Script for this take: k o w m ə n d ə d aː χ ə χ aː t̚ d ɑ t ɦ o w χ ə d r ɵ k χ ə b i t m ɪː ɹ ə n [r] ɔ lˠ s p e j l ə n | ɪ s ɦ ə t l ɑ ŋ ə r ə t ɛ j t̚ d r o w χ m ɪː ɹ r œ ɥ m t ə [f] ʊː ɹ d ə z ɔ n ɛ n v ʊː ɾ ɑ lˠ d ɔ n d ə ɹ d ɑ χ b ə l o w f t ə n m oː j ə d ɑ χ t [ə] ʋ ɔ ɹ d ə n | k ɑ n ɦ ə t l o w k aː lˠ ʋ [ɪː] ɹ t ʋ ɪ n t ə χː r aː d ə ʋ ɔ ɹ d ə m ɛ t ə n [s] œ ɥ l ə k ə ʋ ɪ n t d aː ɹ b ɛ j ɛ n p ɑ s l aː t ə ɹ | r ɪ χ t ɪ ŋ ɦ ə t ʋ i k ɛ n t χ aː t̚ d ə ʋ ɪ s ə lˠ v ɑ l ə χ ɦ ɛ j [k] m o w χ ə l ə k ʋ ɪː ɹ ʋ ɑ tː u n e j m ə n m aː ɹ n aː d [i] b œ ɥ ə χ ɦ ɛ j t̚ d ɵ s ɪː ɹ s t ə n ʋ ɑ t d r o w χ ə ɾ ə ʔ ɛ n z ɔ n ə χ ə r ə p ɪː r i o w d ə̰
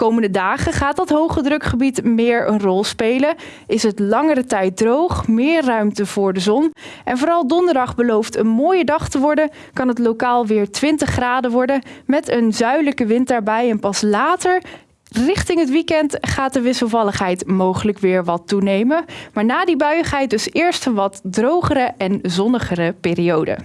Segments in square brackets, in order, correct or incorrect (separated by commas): correct, incorrect, correct, correct, incorrect, incorrect, correct